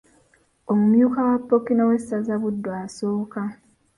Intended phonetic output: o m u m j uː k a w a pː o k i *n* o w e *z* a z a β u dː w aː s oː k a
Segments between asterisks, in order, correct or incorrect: correct, incorrect: s

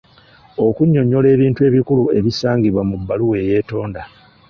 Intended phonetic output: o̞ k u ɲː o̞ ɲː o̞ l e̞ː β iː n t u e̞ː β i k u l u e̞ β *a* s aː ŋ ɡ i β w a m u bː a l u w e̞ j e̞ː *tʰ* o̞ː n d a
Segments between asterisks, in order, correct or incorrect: incorrect: i, incorrect: t

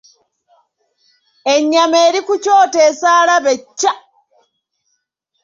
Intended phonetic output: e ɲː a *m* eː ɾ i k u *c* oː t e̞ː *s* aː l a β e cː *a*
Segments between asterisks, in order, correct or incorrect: correct, correct, correct, correct

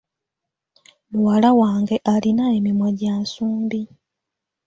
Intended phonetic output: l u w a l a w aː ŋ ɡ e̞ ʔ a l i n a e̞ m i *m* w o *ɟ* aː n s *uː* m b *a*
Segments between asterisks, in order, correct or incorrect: correct, correct, correct, incorrect: i

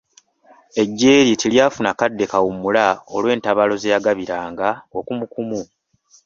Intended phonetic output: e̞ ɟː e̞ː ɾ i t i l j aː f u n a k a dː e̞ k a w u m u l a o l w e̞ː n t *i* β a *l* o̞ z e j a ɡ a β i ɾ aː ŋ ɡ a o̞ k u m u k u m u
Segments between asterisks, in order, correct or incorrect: incorrect: a, correct

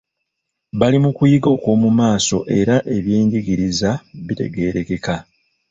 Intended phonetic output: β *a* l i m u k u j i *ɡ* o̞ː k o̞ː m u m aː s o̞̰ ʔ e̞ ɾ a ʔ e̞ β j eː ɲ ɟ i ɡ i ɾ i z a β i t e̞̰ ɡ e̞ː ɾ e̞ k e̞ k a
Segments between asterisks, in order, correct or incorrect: correct, correct

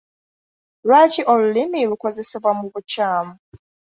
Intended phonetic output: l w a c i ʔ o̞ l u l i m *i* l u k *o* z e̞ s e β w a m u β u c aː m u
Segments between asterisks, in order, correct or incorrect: correct, correct

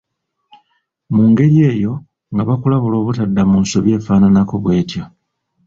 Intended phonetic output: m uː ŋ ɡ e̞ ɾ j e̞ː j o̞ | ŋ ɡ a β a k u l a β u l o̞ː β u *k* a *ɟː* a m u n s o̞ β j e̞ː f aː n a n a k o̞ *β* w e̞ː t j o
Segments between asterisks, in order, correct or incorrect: incorrect: t, incorrect: dː, correct

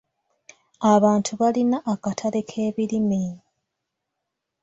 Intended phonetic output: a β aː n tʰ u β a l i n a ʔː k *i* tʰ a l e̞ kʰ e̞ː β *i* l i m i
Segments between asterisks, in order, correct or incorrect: incorrect: a, correct

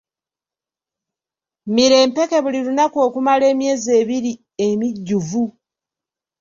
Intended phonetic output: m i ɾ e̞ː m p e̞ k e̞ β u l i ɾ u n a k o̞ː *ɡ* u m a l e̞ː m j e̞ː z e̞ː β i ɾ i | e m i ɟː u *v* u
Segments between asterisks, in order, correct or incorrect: incorrect: k, correct

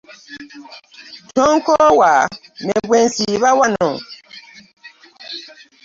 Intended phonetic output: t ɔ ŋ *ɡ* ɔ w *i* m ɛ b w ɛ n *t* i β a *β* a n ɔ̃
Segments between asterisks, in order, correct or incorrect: incorrect: k, incorrect: a, incorrect: s, incorrect: w

